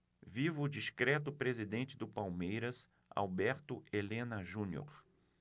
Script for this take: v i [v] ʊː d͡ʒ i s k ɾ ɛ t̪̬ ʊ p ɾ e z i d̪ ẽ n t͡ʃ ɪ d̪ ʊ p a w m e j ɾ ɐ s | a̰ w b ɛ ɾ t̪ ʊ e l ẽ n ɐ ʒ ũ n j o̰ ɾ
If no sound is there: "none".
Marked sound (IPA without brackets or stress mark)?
v